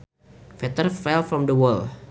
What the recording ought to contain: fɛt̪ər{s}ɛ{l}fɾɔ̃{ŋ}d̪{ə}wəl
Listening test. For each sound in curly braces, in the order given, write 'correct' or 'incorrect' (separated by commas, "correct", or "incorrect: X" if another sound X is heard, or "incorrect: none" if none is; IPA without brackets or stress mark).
incorrect: f, correct, incorrect: m, correct